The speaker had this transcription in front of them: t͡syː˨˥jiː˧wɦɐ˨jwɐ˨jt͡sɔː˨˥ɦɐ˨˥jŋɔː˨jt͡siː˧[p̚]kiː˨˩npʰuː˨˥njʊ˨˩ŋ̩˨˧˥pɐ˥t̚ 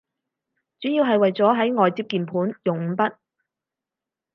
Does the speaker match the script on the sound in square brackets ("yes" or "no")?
yes